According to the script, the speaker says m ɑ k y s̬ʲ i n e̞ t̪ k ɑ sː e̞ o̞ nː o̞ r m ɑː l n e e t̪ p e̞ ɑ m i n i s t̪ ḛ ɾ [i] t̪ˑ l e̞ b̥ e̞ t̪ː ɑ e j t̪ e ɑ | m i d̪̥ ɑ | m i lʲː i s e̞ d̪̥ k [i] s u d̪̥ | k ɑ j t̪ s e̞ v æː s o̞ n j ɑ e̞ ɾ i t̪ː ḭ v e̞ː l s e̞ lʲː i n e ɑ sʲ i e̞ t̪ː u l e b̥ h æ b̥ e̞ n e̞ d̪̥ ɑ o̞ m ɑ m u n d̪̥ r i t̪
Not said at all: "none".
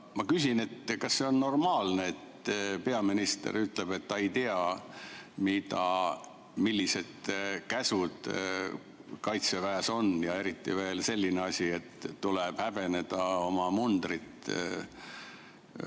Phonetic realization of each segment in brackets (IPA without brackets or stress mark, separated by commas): y, æ